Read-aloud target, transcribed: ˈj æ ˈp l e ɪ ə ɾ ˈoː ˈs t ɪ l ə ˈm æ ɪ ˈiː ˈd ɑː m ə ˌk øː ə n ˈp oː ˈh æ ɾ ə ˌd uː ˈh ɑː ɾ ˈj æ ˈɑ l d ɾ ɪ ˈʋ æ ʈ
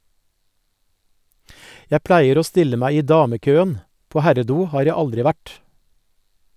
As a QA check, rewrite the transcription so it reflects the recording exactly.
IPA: ˈj æ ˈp l æ ɪ ə ɾ ˈoː ˈs t ɪ l ə ˈm æ ɪ ˈiː ˈd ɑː m ə ˌk øː ə n ˈp oː ˈh æ ɾ ə ˌd uː ˈh ɑː ɾ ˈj æ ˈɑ l d ɾ ɪ ˈʋ æ ʈ